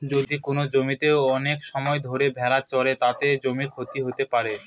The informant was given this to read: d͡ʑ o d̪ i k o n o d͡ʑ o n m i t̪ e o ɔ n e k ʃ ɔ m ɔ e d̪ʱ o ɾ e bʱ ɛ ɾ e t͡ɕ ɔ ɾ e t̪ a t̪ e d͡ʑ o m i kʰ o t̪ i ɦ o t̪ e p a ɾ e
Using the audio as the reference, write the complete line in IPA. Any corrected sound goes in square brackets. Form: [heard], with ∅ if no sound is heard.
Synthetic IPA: d͡ʑ o d̪ i k o n o d͡ʑ o [∅] m i t̪ e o ɔ n e k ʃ ɔ m ɔ e d̪ʱ o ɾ e bʱ ɛ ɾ [a] t͡ɕ ɔ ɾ e t̪ a t̪ e d͡ʑ o m i kʰ o t̪ i ɦ o t̪ e p a ɾ e